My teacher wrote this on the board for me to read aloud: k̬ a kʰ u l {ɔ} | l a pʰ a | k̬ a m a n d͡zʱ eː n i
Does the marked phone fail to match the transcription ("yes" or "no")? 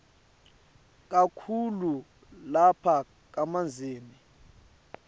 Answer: yes